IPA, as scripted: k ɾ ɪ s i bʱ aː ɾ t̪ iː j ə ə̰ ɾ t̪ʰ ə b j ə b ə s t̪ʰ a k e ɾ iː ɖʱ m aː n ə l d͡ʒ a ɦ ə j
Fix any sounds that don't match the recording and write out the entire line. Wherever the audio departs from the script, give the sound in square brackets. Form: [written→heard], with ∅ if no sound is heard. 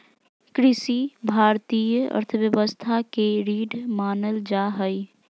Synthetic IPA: k ɾ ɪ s i bʱ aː ɾ t̪ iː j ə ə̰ ɾ t̪ʰ ə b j ə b ə s t̪ʰ a k e ɾ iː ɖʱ m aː n ə l d͡ʒ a ɦ ə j